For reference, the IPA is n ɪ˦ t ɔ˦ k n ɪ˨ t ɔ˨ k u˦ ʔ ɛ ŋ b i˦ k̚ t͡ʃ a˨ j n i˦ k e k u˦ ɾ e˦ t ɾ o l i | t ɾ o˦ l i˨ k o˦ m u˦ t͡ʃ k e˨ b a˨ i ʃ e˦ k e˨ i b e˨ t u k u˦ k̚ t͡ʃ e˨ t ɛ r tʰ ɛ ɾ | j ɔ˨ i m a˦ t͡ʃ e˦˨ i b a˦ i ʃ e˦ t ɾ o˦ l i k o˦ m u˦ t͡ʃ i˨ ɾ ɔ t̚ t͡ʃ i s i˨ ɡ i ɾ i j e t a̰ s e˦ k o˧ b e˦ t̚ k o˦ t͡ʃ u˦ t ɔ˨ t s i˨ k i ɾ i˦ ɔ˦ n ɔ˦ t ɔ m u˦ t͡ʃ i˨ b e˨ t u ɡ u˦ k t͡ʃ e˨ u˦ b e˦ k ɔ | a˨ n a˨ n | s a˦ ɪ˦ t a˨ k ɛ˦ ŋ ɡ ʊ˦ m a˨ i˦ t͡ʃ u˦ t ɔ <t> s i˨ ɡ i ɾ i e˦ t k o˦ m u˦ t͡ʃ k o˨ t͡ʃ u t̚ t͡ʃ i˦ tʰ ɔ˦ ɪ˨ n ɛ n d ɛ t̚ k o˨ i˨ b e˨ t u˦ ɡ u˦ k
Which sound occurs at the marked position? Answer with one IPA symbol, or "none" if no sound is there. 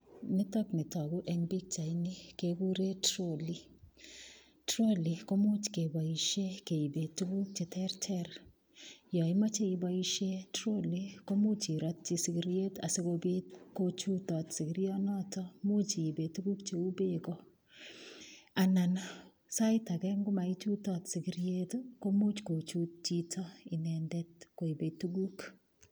t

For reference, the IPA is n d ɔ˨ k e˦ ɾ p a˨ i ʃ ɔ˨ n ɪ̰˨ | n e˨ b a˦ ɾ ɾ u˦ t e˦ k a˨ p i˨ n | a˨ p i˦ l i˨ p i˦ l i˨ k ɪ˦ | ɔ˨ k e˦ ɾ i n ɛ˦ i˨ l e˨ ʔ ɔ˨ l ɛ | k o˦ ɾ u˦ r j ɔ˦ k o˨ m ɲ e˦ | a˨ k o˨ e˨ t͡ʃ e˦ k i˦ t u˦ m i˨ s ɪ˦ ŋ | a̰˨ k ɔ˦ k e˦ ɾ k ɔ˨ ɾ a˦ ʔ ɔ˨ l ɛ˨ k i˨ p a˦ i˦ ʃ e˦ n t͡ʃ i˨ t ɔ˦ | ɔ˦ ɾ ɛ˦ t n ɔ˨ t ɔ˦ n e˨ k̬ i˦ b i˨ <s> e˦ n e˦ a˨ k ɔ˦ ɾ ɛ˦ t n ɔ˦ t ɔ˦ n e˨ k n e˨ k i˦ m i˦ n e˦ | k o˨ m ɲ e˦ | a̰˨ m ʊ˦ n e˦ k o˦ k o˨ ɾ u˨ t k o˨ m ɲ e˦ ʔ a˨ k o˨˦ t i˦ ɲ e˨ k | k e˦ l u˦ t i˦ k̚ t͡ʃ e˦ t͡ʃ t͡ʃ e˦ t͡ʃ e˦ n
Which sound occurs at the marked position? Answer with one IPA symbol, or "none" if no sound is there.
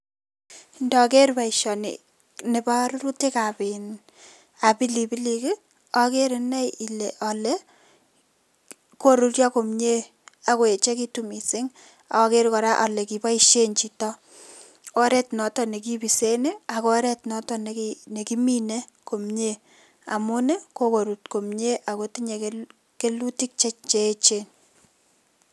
s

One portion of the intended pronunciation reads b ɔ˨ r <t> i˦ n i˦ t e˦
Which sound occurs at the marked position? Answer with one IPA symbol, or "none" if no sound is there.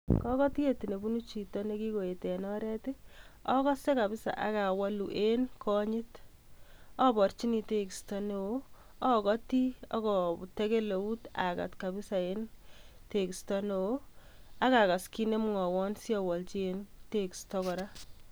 t͡ʃ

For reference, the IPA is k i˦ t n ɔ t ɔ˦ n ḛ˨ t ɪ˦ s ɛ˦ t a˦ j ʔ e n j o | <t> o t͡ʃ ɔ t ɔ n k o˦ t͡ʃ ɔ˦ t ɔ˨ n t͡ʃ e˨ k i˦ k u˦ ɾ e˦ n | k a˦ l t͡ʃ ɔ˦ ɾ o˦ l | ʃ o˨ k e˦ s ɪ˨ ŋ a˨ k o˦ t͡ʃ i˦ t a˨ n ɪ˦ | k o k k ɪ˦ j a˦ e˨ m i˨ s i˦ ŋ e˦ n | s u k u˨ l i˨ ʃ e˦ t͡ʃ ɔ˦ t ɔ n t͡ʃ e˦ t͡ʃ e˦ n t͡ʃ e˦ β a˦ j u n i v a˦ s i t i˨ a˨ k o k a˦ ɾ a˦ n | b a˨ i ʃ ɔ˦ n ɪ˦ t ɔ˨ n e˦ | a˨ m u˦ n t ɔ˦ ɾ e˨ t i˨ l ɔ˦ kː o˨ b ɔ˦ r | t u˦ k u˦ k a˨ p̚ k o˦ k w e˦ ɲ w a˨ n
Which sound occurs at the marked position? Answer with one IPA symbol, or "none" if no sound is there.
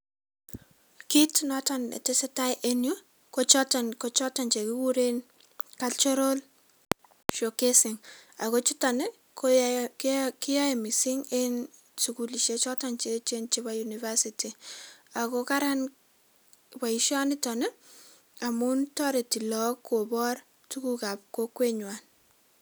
k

